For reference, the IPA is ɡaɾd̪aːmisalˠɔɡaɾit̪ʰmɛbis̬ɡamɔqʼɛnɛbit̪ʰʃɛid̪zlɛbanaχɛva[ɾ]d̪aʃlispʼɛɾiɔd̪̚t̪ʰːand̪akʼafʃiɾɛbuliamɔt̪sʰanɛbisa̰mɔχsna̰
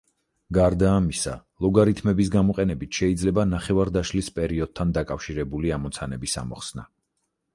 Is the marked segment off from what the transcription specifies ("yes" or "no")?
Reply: no